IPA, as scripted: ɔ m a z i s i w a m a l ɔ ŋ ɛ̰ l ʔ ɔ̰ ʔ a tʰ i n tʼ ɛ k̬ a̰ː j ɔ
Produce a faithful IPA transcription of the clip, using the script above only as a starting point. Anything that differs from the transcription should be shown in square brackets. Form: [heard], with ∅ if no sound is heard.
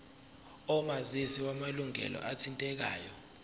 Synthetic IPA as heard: ɔ m a z i s i w a m a l [u] ŋ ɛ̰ l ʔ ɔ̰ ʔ a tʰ i n tʼ ɛ k̬ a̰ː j ɔ